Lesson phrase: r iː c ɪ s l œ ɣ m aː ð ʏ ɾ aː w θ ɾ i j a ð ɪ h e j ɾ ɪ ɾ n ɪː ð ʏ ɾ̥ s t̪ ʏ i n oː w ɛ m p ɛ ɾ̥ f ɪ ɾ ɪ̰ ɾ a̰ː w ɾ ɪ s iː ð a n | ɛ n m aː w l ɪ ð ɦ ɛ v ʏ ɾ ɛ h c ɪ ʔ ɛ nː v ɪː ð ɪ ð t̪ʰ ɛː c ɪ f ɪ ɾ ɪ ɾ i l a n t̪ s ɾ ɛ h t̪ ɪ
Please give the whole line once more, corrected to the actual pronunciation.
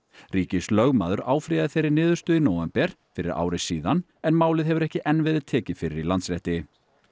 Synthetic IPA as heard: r iː c ɪ s l œ ɣ m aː ð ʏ ɾ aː w f ɾ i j a ð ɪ θ e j ɾ ɪ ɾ n ɪː ð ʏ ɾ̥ s t̪ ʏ i n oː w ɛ m p ɛ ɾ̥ f ɪ ɾ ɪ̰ ɾ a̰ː w ɾ ɪ s iː ð a n | ɛ n m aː w l ɪ ð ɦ ɛ v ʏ ɾ ɛ h c ɪ ʔ ɛ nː v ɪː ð ɪ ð t̪ʰ ɛː c ɪ f ɪ ɾ ɪ ɾ i l a n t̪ s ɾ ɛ h t̪ ɪ